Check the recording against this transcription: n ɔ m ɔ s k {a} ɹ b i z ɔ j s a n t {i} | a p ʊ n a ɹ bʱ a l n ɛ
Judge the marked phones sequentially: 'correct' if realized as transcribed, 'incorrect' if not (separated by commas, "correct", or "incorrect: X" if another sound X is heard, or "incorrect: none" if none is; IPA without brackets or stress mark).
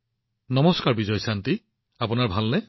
correct, correct